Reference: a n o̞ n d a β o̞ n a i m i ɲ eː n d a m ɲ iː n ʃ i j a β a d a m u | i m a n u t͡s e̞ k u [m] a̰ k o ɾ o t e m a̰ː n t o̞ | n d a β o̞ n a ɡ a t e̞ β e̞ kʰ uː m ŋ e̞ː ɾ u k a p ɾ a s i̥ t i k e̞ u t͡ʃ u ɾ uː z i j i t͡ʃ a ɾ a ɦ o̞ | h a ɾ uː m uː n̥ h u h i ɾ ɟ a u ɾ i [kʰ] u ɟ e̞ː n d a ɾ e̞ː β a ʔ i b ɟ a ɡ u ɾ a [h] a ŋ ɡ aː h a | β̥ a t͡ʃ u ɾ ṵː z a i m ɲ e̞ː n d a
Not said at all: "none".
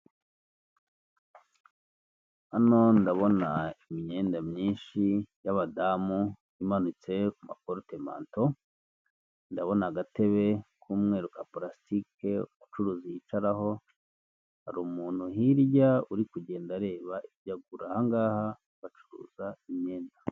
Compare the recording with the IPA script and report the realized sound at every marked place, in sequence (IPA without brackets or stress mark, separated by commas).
m, k, h